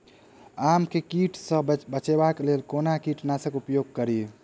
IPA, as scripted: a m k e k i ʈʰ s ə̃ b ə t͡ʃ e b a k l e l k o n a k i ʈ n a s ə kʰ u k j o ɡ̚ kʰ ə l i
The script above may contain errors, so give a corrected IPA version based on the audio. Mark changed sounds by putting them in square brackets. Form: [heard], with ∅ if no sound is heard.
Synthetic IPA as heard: a m k e k i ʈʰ s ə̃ b ə t͡ʃ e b a k l e l k o n a k i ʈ n a s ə [k] u [p] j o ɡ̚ [k] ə [ɾ] i